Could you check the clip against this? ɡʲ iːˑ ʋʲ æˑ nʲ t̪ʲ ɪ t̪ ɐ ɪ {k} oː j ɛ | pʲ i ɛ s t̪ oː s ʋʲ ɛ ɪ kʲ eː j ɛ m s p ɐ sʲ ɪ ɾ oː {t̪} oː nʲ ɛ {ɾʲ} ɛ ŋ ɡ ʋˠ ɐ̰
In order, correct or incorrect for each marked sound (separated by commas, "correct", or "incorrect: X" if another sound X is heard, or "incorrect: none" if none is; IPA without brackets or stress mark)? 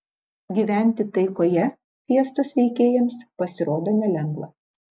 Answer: correct, incorrect: d̪, incorrect: lʲ